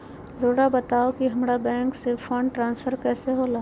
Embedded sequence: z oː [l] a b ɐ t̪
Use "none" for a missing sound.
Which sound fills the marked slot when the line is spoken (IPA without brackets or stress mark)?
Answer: ɽ